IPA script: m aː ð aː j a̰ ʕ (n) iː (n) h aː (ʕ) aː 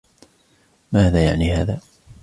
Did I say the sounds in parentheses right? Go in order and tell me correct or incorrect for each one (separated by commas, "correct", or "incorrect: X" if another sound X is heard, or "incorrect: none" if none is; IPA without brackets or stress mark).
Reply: correct, incorrect: none, incorrect: ð